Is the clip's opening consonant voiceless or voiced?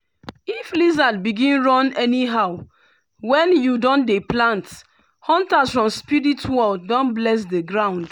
voiceless